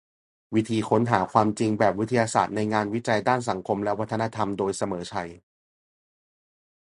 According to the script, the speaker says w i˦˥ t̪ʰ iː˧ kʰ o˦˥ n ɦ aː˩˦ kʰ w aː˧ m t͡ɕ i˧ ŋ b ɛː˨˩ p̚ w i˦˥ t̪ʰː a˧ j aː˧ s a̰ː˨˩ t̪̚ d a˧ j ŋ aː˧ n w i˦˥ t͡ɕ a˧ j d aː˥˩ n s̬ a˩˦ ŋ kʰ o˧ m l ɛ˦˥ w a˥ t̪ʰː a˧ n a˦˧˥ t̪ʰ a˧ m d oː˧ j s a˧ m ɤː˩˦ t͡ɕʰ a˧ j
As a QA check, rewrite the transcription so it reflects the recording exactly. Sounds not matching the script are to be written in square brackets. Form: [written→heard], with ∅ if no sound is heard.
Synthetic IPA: w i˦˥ t̪ʰ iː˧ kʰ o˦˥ n ɦ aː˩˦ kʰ w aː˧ m t͡ɕ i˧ ŋ b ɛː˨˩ p̚ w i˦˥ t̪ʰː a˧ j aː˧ s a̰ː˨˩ t̪̚ [d→n] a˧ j ŋ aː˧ n w i˦˥ t͡ɕ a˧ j d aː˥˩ n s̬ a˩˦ ŋ kʰ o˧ m l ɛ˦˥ w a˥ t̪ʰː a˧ n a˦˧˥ t̪ʰ a˧ m d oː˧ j s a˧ m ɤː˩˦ t͡ɕʰ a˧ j